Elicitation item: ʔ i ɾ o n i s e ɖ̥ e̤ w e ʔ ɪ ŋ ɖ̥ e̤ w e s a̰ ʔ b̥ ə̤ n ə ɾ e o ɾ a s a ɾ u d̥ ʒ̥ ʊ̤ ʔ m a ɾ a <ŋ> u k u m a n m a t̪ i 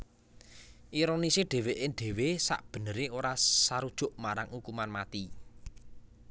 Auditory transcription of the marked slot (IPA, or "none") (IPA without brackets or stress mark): ŋ